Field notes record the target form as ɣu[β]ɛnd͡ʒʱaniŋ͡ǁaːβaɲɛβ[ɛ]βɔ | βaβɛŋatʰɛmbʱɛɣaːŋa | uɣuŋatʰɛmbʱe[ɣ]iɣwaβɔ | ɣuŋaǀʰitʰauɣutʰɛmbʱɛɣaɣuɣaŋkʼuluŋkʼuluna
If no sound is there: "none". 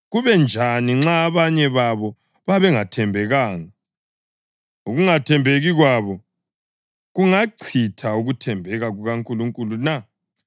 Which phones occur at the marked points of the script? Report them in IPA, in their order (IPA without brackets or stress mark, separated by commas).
β, a, ɣ